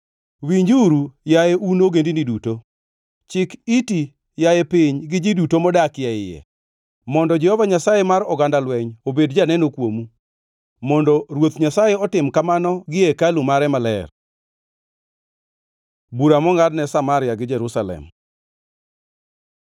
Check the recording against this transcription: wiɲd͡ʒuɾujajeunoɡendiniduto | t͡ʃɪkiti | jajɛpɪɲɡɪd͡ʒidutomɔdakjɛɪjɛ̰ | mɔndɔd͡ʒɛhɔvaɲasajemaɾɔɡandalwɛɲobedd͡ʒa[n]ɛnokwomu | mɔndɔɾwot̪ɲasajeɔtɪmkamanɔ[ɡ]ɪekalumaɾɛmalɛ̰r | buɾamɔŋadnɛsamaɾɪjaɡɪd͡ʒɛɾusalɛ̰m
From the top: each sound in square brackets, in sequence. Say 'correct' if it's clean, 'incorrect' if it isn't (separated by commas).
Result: correct, correct